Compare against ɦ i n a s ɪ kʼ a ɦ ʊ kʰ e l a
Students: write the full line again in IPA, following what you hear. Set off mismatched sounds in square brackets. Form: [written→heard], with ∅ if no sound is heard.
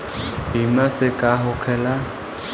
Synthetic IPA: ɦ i [n→m] a s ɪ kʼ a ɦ ʊ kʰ [e→ɛ] l a